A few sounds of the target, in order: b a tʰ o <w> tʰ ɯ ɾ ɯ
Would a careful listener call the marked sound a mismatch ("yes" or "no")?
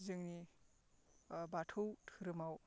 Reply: no